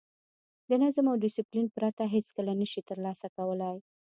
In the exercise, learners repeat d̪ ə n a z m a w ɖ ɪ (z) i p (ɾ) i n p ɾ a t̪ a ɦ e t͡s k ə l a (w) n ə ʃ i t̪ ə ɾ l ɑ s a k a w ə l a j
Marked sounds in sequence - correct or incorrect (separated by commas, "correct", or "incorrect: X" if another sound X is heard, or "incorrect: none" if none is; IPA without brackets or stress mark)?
incorrect: s, incorrect: l, incorrect: none